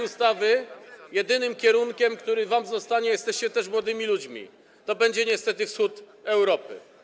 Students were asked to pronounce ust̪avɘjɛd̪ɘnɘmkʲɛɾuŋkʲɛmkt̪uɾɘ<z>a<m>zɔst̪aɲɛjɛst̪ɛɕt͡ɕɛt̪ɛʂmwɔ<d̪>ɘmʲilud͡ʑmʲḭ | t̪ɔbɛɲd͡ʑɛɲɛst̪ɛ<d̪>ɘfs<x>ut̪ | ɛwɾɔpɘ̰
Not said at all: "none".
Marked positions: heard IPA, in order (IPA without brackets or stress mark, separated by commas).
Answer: v, m, d̪, t̪, x